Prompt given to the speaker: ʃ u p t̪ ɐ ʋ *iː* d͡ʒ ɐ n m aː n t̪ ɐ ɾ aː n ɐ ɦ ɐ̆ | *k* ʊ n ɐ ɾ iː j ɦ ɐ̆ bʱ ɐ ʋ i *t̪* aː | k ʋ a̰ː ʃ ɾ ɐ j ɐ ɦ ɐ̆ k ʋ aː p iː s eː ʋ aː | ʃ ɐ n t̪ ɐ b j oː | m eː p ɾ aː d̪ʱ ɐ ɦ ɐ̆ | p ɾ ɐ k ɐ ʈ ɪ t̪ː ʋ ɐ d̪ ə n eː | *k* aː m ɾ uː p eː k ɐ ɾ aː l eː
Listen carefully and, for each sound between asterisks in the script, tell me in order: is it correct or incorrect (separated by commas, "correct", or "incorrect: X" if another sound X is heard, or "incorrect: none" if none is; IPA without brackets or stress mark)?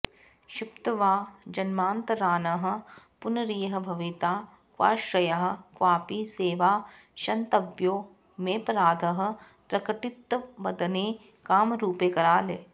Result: incorrect: aː, incorrect: p, correct, correct